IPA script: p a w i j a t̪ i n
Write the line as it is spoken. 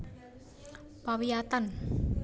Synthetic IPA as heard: p a w i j a t̪ a n